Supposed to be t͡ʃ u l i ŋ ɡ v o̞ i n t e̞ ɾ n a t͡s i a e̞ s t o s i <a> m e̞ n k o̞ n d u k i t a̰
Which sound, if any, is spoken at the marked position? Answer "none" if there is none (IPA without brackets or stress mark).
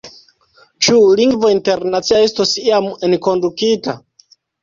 a